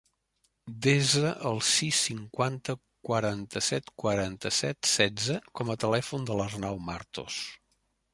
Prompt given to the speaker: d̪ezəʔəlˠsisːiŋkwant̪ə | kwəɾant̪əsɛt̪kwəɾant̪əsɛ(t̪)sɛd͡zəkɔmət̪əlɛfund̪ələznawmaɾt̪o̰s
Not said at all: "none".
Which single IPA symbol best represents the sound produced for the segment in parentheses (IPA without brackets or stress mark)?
t̪